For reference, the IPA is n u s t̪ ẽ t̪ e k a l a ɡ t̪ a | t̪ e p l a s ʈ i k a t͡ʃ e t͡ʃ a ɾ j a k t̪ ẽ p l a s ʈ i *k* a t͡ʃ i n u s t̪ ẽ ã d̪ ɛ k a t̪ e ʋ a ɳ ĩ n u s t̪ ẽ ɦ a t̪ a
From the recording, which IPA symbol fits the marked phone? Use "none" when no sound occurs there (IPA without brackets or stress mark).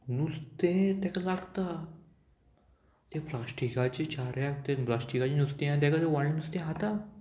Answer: k